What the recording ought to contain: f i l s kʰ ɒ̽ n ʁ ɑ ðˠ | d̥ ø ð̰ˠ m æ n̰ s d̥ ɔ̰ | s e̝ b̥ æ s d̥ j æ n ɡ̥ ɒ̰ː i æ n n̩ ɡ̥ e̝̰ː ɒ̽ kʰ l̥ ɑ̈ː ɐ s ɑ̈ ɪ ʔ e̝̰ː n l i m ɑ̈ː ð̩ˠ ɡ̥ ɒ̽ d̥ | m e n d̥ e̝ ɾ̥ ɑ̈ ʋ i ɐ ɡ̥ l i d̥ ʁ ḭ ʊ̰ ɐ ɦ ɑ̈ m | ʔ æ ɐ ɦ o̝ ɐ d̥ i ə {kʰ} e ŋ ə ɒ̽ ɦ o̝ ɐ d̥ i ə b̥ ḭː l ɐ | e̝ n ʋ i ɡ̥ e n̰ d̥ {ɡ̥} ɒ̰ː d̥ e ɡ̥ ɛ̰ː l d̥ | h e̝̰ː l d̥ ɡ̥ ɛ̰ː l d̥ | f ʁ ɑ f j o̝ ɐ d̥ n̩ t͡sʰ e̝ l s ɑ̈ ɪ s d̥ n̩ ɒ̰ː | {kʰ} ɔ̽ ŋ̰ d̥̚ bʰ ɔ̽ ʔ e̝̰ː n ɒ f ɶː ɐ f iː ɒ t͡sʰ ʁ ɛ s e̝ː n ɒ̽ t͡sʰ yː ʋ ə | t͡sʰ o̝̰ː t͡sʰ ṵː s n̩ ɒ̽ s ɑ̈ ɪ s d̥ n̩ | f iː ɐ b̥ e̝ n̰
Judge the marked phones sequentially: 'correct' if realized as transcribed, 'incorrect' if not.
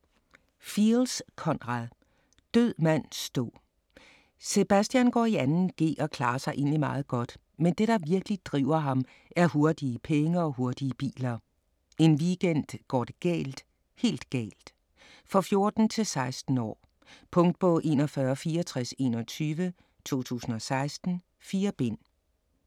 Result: incorrect, correct, incorrect

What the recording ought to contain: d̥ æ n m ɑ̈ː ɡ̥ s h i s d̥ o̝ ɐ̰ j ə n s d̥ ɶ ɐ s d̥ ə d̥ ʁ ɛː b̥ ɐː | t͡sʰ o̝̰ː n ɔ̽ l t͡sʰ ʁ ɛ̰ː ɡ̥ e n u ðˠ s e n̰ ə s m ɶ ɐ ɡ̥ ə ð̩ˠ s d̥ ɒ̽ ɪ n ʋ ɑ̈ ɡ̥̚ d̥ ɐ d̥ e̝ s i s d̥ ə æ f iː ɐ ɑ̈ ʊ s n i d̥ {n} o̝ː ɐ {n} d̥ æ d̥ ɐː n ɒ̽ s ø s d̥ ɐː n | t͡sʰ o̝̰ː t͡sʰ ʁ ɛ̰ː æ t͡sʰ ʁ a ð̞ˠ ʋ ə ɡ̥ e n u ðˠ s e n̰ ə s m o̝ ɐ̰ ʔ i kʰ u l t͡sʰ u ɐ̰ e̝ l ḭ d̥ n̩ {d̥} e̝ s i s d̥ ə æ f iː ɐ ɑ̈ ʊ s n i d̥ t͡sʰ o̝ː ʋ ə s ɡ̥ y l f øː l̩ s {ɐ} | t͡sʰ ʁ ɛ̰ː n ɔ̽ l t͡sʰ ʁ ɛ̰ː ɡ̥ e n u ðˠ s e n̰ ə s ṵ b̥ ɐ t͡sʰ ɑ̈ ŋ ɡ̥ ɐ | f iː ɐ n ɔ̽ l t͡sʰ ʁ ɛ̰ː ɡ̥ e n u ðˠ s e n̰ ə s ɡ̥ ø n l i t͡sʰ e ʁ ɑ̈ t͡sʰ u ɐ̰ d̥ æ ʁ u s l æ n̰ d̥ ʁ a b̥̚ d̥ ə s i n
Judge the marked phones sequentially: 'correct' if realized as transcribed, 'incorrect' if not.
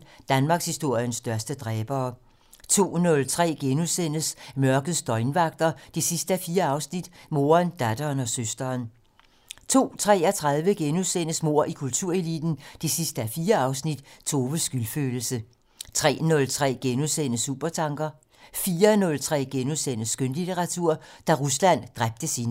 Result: incorrect, correct, correct, incorrect

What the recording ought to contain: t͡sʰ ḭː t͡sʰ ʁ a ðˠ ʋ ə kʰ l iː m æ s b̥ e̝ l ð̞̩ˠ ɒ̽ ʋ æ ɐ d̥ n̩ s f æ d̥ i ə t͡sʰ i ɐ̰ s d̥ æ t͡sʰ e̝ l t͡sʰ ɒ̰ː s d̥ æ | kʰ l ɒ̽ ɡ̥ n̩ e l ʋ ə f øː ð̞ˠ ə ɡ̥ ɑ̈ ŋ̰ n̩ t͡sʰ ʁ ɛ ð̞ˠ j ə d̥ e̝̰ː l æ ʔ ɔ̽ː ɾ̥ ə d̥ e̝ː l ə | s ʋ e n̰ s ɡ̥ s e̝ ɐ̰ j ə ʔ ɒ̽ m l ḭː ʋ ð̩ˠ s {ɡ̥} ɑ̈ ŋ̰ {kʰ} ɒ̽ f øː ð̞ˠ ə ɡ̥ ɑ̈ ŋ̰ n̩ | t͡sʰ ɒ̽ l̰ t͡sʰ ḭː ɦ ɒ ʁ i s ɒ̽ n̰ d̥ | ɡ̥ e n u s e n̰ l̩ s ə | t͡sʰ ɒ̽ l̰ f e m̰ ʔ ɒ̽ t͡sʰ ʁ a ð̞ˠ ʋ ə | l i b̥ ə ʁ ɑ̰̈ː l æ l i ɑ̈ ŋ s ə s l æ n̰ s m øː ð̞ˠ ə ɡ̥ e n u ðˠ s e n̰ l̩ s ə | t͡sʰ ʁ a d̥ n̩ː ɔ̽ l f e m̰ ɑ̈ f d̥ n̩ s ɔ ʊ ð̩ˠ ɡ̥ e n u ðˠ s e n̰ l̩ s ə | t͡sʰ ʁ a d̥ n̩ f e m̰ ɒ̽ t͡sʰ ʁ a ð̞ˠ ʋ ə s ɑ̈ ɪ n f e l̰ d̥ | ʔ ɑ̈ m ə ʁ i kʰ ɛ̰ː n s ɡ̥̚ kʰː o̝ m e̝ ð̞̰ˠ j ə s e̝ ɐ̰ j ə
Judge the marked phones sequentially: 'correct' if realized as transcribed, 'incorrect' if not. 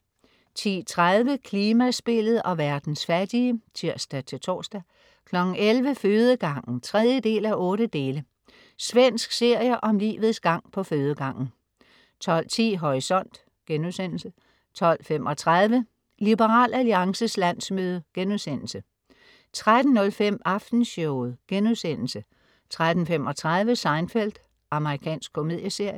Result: correct, incorrect

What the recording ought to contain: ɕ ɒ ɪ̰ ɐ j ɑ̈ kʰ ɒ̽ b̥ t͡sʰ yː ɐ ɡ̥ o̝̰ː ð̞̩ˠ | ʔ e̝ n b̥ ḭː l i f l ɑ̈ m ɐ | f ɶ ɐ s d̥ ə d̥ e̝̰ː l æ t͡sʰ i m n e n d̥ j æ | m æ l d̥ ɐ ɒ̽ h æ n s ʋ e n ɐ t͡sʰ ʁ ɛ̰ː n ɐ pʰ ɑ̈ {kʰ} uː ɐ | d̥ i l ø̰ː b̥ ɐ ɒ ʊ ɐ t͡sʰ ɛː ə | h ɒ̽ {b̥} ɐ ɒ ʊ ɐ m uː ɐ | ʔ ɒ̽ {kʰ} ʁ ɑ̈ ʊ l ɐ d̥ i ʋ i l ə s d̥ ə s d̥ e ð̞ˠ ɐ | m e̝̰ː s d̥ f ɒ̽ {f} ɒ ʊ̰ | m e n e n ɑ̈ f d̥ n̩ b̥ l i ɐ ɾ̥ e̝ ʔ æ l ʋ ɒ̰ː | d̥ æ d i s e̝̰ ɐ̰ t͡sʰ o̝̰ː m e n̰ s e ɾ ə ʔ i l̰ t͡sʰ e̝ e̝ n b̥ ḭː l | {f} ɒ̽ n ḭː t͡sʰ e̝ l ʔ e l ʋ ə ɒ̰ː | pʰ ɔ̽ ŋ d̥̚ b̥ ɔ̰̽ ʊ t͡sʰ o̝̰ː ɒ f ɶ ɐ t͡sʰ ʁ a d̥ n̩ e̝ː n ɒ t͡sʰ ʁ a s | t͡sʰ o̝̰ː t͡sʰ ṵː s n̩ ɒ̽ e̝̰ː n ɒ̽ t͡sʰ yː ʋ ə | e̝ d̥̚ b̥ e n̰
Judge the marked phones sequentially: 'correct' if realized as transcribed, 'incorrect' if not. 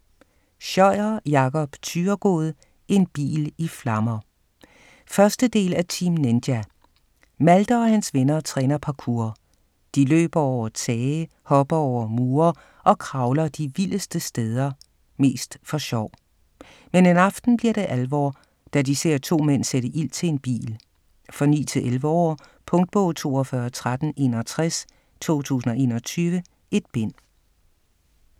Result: correct, correct, correct, incorrect, correct

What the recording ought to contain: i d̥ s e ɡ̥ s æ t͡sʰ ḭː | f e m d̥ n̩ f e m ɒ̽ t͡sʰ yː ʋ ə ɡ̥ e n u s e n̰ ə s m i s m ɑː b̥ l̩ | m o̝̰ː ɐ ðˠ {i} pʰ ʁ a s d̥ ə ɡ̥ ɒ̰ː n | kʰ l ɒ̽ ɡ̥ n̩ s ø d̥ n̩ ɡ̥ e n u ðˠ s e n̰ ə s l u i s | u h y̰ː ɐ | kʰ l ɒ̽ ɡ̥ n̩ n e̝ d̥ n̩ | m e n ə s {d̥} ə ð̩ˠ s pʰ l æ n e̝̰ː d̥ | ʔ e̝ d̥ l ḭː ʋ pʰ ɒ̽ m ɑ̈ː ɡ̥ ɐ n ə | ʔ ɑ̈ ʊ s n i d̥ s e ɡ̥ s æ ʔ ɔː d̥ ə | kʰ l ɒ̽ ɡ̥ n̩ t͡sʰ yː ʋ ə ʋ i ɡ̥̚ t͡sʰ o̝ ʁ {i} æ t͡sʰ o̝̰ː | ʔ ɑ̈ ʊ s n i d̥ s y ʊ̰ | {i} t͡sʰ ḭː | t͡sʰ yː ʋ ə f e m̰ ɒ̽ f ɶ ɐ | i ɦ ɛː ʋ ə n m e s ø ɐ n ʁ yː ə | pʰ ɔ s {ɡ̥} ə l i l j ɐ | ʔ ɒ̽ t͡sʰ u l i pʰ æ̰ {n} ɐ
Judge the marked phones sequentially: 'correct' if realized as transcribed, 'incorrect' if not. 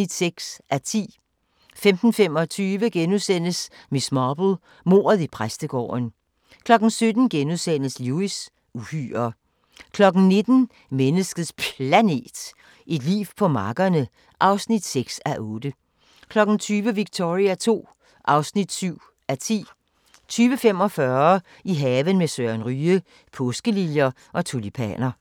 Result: correct, incorrect, correct, incorrect, correct, correct

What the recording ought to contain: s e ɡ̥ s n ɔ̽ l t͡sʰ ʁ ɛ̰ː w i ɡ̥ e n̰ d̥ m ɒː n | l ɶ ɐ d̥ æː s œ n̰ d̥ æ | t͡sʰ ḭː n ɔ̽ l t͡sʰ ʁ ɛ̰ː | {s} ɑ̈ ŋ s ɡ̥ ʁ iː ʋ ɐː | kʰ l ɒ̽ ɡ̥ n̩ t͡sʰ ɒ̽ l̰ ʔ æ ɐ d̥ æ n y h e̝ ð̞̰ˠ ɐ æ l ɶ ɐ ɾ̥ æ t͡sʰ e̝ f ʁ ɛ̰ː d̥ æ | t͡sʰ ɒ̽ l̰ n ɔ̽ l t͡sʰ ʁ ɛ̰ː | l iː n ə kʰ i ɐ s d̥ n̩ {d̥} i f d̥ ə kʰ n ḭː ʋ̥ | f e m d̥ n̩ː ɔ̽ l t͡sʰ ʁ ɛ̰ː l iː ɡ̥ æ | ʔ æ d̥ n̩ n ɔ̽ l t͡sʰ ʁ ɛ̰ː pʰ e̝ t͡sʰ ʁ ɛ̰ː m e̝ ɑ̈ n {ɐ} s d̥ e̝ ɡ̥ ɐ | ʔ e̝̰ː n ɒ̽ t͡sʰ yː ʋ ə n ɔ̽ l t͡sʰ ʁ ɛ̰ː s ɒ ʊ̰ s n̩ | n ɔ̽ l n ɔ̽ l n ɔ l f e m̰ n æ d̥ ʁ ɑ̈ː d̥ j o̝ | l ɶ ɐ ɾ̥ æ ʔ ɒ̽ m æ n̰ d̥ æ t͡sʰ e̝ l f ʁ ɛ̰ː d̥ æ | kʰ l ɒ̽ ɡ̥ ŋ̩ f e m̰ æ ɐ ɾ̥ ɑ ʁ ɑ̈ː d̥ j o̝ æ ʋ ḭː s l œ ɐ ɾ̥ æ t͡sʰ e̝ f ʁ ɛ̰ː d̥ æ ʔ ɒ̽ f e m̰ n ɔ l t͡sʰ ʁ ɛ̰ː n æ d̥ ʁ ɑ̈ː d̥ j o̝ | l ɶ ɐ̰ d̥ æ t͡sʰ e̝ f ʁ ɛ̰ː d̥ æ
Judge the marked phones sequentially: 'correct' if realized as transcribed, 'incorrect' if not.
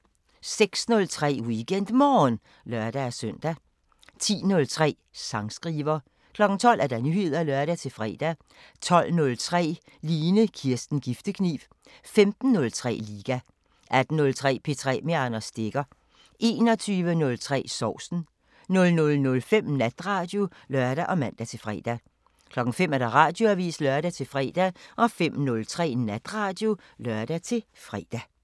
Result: correct, incorrect, correct

